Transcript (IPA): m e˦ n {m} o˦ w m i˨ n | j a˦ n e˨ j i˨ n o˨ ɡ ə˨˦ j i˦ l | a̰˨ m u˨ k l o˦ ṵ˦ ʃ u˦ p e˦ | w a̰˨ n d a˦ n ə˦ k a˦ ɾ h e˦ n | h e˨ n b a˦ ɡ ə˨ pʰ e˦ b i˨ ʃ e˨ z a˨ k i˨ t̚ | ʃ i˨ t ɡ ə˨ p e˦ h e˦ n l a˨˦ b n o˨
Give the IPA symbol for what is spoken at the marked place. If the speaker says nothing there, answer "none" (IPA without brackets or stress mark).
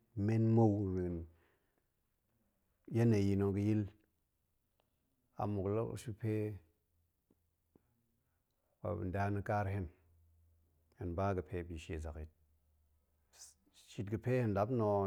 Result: m